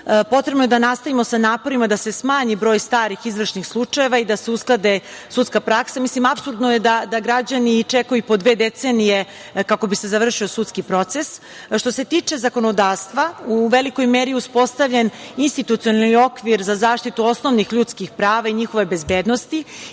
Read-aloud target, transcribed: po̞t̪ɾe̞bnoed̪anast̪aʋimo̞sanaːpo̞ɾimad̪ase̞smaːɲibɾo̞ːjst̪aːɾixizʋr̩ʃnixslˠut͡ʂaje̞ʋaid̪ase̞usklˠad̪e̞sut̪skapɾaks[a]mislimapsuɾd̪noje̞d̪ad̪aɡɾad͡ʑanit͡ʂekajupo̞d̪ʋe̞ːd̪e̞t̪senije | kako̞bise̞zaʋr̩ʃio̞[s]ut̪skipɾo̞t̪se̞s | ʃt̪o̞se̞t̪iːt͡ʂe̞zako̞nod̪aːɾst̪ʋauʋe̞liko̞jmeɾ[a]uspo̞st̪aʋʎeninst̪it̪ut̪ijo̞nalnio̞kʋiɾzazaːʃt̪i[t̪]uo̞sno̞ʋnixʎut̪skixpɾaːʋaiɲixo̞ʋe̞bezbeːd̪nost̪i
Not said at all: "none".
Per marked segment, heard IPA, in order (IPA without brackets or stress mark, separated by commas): a, s, i, t̪